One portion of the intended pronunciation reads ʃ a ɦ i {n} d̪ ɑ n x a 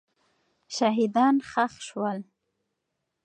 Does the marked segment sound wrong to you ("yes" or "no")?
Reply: yes